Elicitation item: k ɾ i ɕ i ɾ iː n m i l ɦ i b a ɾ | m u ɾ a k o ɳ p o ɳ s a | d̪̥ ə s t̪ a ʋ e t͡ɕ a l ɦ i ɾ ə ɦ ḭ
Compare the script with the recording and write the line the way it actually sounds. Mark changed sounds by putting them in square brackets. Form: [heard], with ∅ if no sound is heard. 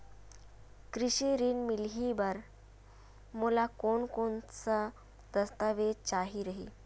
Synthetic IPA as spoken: k ɾ i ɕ i ɾ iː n m i l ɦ i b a ɾ | m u [l] a k o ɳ [k] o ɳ [t͡s] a | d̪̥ ə s t̪ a ʋ e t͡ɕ a [∅] ɦ i ɾ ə ɦ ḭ

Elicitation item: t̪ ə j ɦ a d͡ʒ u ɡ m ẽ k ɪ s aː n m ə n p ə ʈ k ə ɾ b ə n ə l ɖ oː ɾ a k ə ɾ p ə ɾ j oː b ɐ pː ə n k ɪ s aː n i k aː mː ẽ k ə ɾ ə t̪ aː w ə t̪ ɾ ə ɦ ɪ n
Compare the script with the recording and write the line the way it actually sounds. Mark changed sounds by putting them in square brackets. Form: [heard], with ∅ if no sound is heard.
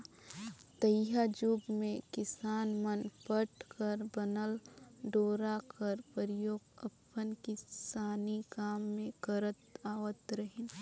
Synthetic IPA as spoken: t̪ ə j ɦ a d͡ʒ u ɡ m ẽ k ɪ s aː n m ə n p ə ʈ k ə ɾ b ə n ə l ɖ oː ɾ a k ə ɾ p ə ɾ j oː [ɡ] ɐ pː ə n k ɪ s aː n i k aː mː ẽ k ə ɾ ə t̪ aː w ə t̪ ɾ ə ɦ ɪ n

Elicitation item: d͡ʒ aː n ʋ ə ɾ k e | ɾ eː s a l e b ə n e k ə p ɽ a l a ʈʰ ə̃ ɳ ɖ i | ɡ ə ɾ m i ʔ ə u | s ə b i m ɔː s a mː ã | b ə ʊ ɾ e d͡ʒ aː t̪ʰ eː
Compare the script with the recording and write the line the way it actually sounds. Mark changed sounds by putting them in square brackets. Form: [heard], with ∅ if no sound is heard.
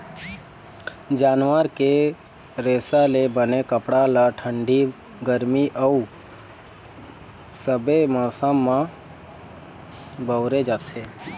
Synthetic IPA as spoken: d͡ʒ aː n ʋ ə ɾ k e | ɾ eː s a l e b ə n e k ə p ɽ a l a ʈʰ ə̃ ɳ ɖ i | ɡ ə ɾ m i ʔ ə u | s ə b [e] m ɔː s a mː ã | b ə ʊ ɾ e d͡ʒ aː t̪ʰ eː

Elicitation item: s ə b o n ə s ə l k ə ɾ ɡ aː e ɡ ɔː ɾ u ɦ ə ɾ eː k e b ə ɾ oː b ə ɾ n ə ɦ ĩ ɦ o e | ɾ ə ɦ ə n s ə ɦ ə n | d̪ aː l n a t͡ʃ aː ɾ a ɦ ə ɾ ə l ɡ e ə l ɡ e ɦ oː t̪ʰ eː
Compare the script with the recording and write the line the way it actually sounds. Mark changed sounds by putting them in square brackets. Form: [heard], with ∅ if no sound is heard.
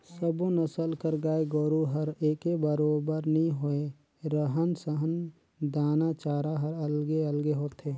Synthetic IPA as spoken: s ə b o n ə s ə l k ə ɾ ɡ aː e ɡ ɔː ɾ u ɦ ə ɾ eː k e b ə ɾ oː b ə ɾ n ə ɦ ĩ ɦ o e | ɾ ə ɦ ə n s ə ɦ ə n | d̪ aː [∅] n a t͡ʃ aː ɾ a ɦ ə ɾ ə l ɡ e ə l ɡ e ɦ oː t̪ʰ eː

